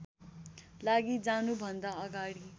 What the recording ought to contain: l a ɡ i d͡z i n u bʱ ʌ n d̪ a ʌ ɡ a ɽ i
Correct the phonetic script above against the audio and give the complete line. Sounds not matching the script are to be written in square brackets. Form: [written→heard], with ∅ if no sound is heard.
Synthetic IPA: l a ɡ i d͡z [i→a] n u bʱ ʌ n d̪ a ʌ ɡ a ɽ i